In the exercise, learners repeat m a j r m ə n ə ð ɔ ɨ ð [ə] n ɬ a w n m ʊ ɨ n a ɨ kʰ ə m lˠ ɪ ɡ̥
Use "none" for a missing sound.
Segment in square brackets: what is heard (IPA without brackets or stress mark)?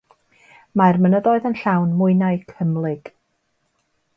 ə